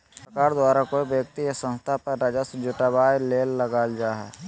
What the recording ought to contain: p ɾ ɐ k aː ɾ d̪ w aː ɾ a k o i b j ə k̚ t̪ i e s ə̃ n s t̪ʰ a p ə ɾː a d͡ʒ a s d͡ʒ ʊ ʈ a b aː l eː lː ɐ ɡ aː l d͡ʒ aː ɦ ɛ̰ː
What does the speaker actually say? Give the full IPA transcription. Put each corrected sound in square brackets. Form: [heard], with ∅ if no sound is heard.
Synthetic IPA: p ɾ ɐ k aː ɾ d̪ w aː ɾ a k o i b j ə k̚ t̪ i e s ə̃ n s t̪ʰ a p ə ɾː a d͡ʒ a s d͡ʒ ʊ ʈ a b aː l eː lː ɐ ɡ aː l d͡ʒ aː ɦ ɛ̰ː